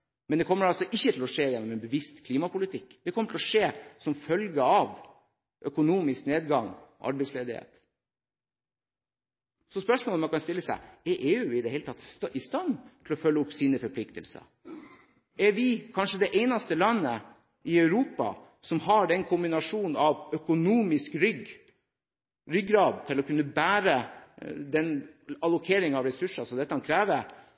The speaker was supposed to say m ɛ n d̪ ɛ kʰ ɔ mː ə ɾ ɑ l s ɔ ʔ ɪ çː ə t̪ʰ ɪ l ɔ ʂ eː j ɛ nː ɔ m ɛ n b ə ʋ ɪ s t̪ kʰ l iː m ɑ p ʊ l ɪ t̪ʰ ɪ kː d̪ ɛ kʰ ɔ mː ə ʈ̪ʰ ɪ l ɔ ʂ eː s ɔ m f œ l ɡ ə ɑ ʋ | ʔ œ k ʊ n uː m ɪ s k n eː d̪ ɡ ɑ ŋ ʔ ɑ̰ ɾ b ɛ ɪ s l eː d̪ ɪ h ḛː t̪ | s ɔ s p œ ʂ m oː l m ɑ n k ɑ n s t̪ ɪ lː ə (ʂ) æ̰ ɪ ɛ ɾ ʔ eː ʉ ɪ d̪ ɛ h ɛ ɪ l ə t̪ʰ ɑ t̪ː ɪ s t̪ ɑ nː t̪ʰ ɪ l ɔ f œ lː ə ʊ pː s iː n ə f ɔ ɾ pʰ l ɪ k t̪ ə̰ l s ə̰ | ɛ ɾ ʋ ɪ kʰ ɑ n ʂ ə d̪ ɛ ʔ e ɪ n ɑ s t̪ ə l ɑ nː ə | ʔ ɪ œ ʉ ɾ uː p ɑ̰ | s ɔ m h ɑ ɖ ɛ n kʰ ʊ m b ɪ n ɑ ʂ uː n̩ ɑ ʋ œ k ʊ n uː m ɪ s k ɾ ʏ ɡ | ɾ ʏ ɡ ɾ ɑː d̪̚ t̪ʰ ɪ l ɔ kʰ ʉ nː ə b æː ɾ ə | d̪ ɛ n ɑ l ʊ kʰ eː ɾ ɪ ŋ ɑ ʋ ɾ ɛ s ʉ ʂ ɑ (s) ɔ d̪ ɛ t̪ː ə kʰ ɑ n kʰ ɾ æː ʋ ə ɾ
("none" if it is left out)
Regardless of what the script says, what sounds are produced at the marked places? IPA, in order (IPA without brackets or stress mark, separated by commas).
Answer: s, s